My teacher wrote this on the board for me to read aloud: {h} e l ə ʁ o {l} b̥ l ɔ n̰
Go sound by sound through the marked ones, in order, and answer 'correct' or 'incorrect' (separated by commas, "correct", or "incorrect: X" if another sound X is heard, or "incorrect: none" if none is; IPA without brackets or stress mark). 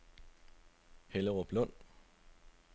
correct, incorrect: none